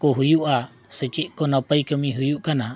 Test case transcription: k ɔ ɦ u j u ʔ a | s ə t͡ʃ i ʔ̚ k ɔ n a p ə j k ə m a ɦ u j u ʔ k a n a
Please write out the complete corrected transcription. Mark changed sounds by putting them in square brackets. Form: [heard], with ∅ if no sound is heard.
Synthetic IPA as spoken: k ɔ ɦ u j u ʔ a | s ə t͡ʃ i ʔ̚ k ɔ n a p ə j k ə m [i] ɦ u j u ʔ k a n a